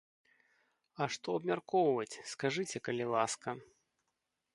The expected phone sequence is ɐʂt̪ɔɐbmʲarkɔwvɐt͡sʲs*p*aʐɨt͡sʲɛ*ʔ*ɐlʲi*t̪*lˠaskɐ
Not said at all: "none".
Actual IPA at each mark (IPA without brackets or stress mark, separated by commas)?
k, k, none